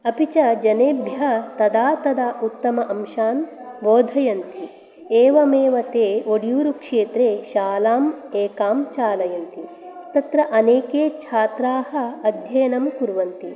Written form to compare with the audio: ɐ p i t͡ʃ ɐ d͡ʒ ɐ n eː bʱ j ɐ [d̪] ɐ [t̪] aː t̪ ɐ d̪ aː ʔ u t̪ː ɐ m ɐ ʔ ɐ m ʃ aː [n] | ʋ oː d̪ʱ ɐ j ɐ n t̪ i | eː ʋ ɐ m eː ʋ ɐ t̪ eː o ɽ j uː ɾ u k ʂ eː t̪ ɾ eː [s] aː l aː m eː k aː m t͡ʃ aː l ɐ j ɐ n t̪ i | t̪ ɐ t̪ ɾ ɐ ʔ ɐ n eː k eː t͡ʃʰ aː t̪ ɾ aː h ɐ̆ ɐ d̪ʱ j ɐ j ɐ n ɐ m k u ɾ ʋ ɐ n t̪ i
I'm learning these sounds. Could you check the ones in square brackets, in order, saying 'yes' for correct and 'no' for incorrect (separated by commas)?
no, no, yes, no